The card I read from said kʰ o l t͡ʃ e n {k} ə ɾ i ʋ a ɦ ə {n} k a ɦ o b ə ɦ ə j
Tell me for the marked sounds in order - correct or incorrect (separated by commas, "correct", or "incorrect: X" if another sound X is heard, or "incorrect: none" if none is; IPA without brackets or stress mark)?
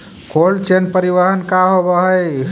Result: incorrect: p, correct